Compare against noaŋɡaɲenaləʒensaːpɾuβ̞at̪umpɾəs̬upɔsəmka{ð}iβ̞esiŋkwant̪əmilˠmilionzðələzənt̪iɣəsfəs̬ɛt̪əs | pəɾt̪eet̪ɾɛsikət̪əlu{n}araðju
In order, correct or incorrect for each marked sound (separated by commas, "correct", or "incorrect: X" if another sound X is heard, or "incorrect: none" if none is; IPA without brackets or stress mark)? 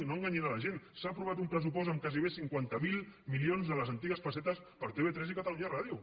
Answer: incorrect: z, incorrect: ɲ